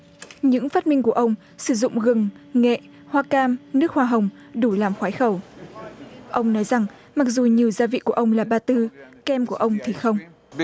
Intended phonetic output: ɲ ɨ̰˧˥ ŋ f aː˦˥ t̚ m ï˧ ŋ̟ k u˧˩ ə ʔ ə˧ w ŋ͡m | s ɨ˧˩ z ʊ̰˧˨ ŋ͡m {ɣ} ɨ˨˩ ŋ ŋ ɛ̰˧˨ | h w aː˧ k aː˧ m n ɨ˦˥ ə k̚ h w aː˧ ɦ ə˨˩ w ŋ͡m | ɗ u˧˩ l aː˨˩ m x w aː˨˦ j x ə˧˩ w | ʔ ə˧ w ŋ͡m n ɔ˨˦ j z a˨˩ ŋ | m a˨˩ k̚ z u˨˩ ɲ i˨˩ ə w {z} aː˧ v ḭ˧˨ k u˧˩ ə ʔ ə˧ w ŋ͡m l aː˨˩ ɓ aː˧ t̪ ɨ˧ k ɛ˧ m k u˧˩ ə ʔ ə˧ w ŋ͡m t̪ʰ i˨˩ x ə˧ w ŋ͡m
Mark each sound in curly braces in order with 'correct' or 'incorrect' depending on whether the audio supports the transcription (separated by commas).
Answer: correct, correct